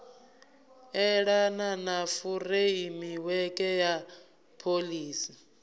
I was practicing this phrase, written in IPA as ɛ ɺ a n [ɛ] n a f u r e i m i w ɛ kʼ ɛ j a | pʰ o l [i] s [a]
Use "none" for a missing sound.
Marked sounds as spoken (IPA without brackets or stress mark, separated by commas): a, iː, i